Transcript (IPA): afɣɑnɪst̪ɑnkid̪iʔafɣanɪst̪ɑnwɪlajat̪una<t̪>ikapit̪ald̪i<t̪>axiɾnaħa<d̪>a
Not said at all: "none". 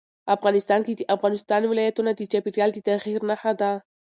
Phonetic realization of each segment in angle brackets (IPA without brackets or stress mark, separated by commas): d̪, t̪, d̪